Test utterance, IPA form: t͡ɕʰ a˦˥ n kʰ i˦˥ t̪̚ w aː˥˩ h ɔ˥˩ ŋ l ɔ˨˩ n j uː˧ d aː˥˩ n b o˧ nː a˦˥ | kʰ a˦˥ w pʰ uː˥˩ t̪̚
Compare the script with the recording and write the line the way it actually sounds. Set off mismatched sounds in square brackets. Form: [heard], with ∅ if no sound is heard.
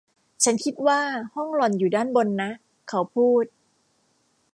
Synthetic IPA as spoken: t͡ɕʰ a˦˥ n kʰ i˦˥ t̪̚ w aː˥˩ h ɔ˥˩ ŋ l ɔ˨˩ n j [uː˨˩] d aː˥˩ n b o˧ nː a˦˥ | kʰ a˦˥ w pʰ uː˥˩ t̪̚